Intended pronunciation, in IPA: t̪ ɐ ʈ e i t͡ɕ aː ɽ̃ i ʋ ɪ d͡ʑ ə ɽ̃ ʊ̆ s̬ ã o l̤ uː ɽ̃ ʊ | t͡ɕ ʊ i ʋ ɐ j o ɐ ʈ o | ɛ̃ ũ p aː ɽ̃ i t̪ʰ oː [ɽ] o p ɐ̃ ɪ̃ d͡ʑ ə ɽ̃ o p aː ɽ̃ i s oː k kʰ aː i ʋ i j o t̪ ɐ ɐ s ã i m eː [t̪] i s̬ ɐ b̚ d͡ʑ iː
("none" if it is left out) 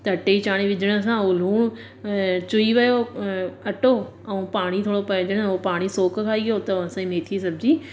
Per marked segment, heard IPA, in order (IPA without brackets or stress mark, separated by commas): ɽ, t̪ʰ